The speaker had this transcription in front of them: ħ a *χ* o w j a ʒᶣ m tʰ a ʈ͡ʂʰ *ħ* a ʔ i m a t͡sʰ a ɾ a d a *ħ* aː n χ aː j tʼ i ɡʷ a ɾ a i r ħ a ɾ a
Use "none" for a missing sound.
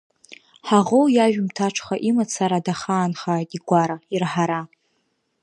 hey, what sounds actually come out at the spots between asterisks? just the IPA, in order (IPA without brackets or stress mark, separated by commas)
ʁ, χ, χ